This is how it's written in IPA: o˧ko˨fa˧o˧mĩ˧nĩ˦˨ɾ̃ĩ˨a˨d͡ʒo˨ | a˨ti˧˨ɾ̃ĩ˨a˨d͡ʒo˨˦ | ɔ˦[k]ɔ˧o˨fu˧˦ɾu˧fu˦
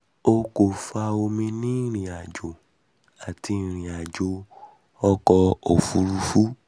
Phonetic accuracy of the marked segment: correct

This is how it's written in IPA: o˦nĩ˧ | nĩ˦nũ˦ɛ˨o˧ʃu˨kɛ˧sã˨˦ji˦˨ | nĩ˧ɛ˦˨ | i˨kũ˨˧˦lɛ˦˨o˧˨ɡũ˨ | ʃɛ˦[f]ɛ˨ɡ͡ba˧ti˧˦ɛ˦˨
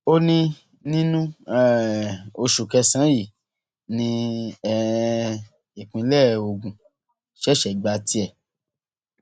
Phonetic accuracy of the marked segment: incorrect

